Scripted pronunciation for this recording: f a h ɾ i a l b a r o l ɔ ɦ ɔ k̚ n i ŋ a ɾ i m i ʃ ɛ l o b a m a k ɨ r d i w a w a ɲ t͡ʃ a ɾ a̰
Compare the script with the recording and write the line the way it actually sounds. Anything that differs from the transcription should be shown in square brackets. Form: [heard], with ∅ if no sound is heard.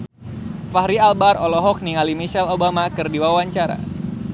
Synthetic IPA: f a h ɾ i a l b a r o l ɔ ɦ ɔ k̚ n i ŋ a [l] i m i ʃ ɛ l o b a m a k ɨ r d i w a w a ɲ t͡ʃ a ɾ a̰